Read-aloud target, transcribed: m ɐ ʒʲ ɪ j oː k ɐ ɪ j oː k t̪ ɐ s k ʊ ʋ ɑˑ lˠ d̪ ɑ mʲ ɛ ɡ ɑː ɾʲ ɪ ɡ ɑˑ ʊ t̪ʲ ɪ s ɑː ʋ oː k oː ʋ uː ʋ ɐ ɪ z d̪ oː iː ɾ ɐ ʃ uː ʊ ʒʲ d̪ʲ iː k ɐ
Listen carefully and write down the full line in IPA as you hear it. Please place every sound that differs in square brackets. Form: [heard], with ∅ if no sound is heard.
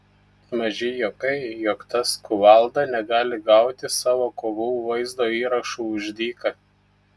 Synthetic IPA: m ɐ ʒʲ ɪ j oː k ɐ ɪ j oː k t̪ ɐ s k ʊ ʋ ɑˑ lˠ d̪ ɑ [nʲ] ɛ ɡ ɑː [lʲ] ɪ ɡ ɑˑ ʊ t̪ʲ ɪ s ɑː ʋ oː k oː ʋ uː ʋ ɐ ɪ z d̪ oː iː ɾ ɐ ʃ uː ʊ ʒʲ d̪ʲ iː k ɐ